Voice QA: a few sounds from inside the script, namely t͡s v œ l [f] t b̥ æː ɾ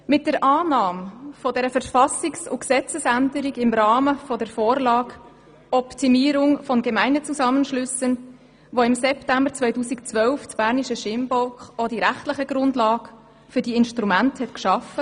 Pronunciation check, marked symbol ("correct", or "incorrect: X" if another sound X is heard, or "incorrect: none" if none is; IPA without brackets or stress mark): correct